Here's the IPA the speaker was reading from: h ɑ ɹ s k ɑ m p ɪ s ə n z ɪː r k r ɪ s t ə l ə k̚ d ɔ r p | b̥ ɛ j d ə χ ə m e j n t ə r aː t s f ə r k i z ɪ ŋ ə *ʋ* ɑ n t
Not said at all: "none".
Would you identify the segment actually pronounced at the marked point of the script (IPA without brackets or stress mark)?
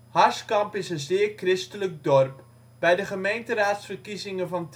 v